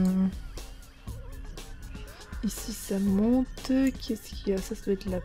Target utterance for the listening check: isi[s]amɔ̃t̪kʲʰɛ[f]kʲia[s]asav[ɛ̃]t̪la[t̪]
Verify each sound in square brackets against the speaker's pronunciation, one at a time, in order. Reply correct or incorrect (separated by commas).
correct, incorrect, correct, incorrect, incorrect